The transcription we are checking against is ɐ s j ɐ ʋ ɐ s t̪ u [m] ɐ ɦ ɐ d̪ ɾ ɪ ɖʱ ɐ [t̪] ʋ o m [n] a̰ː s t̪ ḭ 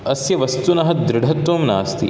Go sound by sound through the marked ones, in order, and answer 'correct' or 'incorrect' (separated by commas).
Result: incorrect, correct, correct